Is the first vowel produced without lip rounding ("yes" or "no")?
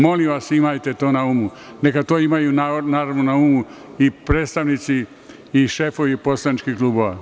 no